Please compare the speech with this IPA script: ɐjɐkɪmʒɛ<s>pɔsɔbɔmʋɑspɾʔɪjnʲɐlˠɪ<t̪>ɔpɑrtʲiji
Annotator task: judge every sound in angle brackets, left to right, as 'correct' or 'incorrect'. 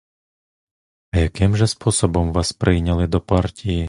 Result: correct, incorrect

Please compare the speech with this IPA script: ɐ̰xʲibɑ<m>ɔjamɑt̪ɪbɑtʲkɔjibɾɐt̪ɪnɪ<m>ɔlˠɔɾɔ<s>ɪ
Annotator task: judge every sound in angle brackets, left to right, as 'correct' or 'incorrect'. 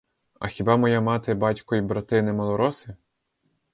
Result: correct, correct, correct

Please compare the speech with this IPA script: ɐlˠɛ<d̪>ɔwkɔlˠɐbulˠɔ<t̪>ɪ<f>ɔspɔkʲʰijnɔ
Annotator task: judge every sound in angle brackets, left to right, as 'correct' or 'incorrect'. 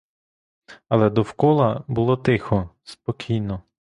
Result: correct, correct, incorrect

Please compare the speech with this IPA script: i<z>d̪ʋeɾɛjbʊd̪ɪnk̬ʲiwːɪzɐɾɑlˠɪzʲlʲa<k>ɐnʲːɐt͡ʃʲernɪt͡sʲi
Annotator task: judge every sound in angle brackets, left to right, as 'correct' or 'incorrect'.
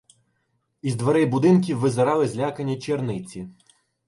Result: correct, correct

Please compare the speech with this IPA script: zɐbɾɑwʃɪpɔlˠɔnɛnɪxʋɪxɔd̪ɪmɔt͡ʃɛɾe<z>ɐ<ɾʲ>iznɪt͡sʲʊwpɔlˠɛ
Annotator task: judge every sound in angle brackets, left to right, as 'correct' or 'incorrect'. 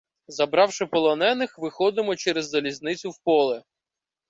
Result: incorrect, incorrect

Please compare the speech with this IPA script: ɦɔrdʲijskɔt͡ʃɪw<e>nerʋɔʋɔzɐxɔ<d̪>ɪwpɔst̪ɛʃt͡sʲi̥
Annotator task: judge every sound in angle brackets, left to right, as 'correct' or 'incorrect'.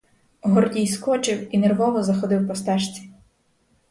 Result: incorrect, correct

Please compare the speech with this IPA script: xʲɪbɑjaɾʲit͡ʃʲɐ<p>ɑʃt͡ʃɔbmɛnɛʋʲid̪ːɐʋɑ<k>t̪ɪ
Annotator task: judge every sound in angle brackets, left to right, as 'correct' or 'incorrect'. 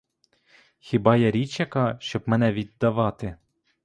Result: incorrect, incorrect

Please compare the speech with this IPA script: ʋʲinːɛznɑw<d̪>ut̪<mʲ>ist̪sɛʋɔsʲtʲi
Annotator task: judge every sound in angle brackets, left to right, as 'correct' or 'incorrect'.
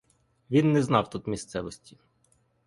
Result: incorrect, correct

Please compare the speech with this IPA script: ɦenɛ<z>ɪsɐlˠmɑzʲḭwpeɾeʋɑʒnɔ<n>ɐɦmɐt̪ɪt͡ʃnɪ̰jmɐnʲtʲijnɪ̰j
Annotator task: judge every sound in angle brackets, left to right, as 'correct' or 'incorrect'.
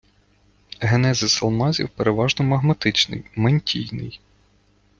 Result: correct, incorrect

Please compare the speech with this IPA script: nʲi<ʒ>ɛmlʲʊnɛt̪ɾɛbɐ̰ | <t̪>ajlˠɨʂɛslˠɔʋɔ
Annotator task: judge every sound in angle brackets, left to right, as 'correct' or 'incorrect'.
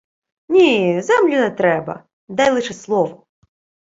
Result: incorrect, incorrect

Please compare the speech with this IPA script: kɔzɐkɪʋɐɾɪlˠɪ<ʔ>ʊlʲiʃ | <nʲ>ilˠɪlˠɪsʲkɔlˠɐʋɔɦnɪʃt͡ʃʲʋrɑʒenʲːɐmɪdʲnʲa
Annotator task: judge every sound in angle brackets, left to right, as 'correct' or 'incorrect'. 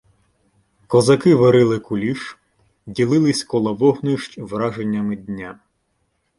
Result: incorrect, incorrect

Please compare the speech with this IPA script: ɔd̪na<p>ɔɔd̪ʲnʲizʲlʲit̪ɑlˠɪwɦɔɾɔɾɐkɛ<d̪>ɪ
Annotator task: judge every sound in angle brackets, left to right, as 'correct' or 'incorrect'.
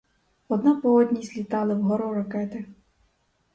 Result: correct, incorrect

